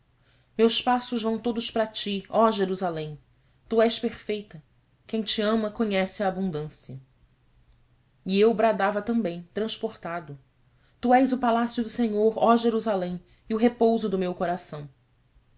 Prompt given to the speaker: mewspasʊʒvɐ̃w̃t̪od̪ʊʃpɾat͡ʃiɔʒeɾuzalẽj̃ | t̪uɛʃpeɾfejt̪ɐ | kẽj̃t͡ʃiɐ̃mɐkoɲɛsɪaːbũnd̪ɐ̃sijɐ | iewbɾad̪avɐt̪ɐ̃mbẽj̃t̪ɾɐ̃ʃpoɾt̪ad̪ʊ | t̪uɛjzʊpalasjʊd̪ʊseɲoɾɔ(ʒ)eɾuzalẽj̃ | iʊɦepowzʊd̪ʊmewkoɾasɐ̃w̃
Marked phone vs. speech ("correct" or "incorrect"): correct